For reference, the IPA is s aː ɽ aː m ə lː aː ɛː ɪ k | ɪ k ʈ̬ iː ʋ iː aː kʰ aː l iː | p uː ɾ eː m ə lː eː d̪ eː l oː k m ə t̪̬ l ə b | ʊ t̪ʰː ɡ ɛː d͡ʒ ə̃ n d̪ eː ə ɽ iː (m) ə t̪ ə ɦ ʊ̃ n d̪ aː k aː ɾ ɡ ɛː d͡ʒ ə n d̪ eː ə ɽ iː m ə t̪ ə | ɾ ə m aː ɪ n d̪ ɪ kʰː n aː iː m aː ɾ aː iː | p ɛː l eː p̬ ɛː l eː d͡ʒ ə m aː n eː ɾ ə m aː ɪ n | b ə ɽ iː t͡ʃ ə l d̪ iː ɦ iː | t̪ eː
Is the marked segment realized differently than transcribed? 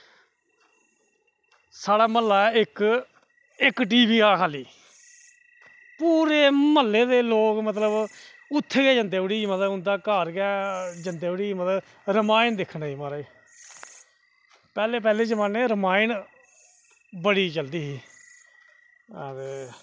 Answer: no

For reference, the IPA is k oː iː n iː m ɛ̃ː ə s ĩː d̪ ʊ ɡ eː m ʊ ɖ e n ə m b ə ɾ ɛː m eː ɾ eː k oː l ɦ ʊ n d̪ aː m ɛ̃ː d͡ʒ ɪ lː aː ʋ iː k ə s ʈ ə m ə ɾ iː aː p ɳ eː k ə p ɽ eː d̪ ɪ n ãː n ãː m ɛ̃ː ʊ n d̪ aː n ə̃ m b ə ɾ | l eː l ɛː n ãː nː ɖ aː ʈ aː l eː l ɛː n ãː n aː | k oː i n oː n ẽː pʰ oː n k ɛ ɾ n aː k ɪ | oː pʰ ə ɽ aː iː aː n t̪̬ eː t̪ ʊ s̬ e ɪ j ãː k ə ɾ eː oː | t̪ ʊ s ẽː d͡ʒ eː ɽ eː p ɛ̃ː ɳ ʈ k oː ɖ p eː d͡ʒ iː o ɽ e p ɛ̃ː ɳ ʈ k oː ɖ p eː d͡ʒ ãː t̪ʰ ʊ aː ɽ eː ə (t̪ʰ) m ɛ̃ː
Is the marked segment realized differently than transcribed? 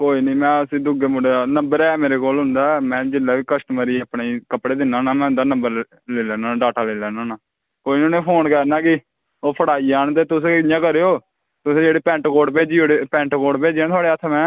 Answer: no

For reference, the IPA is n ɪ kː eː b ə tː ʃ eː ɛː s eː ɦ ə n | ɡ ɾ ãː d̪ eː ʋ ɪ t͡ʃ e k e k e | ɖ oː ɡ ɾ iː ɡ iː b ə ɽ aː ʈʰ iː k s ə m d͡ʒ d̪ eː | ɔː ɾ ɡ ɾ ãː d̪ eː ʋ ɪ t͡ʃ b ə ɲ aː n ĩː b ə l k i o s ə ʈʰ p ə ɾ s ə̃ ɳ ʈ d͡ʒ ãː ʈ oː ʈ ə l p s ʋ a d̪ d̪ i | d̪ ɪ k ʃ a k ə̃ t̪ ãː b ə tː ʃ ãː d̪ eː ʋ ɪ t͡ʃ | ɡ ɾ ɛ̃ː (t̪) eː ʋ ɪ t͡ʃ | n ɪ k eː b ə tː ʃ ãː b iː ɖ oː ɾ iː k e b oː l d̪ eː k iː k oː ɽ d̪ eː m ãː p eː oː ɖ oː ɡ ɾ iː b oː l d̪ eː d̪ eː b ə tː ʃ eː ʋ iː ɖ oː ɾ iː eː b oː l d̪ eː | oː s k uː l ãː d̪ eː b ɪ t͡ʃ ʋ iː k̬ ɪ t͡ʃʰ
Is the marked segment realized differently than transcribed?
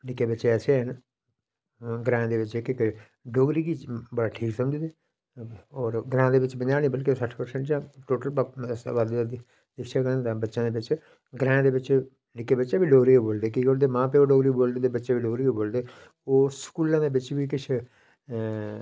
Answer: yes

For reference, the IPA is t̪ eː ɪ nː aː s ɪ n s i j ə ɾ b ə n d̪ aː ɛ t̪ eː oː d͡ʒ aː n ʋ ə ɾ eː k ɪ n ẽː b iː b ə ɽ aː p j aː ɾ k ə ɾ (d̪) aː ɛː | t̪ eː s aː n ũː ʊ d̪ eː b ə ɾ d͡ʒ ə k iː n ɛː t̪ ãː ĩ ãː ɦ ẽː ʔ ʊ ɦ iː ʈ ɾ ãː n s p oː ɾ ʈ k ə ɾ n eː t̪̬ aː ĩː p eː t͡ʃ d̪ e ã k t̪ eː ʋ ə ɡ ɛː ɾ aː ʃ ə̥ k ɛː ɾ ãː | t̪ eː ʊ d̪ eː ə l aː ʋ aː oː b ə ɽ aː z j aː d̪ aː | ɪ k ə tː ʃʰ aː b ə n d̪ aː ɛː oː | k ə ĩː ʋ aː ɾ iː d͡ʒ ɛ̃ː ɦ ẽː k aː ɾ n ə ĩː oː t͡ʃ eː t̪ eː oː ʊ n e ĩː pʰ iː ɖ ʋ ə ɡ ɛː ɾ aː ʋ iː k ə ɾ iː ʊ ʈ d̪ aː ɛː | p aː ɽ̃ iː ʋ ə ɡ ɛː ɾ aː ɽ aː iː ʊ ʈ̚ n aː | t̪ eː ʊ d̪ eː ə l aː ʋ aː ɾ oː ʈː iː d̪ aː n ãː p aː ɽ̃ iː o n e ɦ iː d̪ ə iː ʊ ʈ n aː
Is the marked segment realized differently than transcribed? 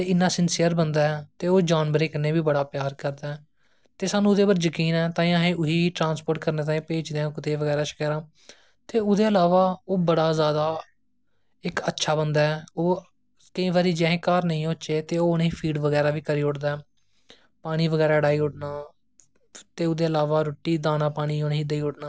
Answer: no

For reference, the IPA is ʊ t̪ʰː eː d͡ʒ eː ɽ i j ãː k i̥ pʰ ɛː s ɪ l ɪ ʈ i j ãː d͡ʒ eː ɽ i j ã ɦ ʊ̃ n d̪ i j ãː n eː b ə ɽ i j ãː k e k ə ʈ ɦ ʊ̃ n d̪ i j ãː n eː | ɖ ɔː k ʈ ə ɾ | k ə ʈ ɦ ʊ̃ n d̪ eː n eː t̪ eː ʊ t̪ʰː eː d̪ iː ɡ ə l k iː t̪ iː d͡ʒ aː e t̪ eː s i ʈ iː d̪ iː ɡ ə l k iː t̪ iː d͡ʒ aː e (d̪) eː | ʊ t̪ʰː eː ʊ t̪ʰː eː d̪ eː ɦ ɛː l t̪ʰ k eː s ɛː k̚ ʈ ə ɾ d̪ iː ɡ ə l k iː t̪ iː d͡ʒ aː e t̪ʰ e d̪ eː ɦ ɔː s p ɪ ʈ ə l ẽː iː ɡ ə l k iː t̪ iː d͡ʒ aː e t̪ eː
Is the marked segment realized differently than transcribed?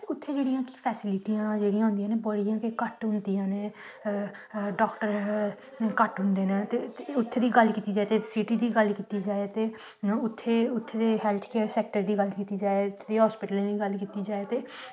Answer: yes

